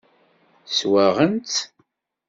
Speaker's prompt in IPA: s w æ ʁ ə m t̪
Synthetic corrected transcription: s w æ ʁ ə n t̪